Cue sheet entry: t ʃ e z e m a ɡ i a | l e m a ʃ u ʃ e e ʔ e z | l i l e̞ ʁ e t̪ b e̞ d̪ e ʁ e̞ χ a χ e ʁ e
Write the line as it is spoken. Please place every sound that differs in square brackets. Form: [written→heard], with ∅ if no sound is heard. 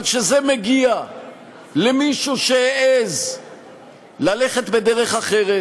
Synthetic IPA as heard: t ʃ e z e m [a→e] ɡ i a | l e m [a→i] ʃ u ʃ e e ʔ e z | l [i→a] l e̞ [ʁ→χ] e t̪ b e̞ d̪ e ʁ e̞ χ a χ e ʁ e